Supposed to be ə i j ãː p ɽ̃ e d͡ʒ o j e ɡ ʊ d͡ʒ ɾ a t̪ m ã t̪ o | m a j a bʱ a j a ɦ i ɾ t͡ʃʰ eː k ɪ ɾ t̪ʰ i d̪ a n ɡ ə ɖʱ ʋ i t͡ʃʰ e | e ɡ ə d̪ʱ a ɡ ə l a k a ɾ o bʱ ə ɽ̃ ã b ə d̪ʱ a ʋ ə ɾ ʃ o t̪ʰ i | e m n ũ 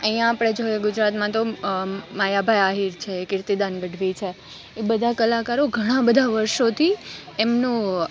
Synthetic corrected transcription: ə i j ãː p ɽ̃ e d͡ʒ o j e ɡ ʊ d͡ʒ ɾ a t̪ m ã t̪ o | m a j a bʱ a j a ɦ i ɾ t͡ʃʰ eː k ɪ ɾ t̪ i d̪ a n ɡ ə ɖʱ ʋ i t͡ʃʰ e | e b ə d̪ʱ a k ə l a k a ɾ o ɡʱ ə ɽ̃ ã b ə d̪ʱ a ʋ ə ɾ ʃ o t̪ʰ i | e m n ũ

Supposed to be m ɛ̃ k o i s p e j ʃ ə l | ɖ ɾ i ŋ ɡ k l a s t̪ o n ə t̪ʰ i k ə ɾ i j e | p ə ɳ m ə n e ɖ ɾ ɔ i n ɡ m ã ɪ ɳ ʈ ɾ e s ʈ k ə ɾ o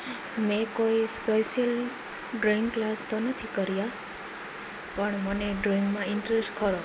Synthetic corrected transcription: m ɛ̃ k o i s p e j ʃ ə l | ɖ ɾ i ŋ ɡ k l a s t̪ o n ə t̪ʰ i k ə ɾ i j a | p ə ɳ m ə n e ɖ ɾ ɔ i ŋ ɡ m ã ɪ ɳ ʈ ɾ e s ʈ k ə ɾ o

